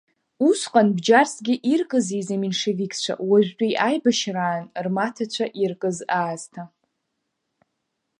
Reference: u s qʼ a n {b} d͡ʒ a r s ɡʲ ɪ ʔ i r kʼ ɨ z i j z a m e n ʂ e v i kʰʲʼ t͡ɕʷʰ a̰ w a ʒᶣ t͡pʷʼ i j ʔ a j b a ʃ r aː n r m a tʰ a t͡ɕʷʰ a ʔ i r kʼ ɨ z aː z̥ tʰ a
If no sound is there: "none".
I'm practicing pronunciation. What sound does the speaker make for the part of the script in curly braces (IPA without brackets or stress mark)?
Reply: b